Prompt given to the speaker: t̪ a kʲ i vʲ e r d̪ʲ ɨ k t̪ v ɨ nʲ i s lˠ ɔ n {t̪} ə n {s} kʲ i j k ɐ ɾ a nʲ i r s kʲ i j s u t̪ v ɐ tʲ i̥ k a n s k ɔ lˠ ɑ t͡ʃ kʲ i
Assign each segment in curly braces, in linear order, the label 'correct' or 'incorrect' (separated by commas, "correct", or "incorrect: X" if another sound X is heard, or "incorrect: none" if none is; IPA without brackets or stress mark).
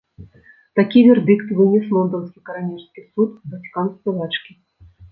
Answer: incorrect: d̪, correct